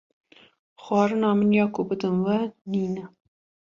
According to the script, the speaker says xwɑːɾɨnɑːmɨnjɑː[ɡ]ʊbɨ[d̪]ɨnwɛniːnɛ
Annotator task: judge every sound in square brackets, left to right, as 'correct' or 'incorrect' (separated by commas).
incorrect, correct